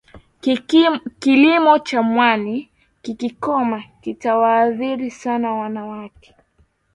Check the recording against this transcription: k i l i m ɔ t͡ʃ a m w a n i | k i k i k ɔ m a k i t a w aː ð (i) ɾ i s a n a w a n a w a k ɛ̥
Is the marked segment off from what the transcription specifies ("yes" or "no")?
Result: no